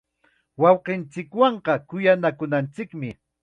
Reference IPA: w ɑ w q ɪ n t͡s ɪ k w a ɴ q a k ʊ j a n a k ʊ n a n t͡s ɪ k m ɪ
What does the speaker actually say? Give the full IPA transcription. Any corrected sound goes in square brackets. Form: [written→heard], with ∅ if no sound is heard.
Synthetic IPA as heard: w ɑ w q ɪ n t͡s ɪ k w [a→ɑ] ɴ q [a→ɑ] k ʊ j a n a k ʊ n a n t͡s ɪ k m ɪ